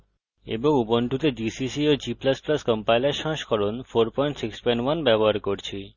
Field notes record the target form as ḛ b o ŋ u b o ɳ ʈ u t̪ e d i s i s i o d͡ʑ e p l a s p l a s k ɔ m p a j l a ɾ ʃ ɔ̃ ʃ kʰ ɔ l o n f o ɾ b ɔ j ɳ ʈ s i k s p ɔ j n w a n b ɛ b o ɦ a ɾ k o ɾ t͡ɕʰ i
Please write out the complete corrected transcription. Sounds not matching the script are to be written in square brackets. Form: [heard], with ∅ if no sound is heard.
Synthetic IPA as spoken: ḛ b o ŋ u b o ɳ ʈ u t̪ e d i s i s i o d͡ʑ [i] p l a s p l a s k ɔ m p a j l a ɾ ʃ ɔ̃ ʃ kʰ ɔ [ɾ] o n f o ɾ [p] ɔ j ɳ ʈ s i k s p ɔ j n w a n b ɛ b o ɦ a ɾ k o ɾ t͡ɕʰ i

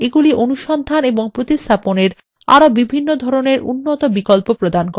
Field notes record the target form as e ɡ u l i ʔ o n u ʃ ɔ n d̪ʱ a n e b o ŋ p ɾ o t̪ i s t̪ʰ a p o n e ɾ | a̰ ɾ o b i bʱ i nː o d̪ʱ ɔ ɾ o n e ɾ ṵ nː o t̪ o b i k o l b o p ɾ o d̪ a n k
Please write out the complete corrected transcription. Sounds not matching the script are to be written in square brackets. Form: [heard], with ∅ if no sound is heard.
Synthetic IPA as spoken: e ɡ u l i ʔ o n u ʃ ɔ n d̪ʱ a n e b o ŋ p ɾ o t̪ i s t̪ʰ a p o n e ɾ | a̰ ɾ o b i bʱ i nː o d̪ʱ ɔ ɾ o n e ɾ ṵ nː o t̪ o b i k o l [p] o p ɾ o d̪ a n k

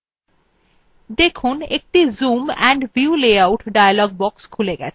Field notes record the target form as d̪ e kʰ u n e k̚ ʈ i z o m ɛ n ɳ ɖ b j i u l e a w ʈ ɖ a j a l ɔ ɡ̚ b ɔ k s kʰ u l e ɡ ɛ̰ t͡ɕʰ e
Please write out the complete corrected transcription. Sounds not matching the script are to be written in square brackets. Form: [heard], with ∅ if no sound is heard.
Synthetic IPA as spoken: d̪ e kʰ u n e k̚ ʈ i z [u] m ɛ [∅] ɳ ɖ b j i u l e a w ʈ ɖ a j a l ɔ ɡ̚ b ɔ k s kʰ u l e ɡ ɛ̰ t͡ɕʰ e

